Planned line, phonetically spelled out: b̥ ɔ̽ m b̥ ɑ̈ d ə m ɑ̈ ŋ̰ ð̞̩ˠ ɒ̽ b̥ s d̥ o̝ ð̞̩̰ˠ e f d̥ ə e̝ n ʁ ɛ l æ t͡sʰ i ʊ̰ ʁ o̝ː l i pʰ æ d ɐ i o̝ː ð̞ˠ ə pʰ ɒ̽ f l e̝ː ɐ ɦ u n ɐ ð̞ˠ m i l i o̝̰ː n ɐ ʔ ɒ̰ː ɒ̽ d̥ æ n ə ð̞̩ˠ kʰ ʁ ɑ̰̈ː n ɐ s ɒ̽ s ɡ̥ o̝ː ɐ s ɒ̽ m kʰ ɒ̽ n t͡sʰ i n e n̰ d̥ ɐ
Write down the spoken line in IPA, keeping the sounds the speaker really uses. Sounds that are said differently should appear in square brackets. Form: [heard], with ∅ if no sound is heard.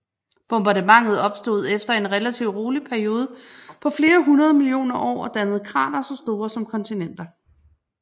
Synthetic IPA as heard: b̥ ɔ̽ m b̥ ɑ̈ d ə m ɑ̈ ŋ̰ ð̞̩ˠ ɒ̽ b̥ s d̥ o̝ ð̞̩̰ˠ e f d̥ [ɐ] e̝ n ʁ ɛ l æ t͡sʰ i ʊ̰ ʁ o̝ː l i pʰ æ [∅] ɐ i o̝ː ð̞ˠ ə pʰ ɒ̽ f l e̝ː ɐ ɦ u n ɐ ð̞ˠ m i l i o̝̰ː n ɐ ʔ ɒ̰ː ɒ̽ d̥ æ n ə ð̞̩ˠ kʰ ʁ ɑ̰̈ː n ɐ s ɒ̽ s [d̥] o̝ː ɐ s ɒ̽ m kʰ ɒ̽ n t͡sʰ i n e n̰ d̥ ɐ